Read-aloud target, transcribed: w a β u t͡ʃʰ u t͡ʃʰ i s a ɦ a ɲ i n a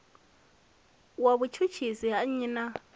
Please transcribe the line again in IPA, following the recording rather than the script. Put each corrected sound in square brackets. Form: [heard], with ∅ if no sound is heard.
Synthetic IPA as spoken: w a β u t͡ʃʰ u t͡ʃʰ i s [i] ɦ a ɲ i n a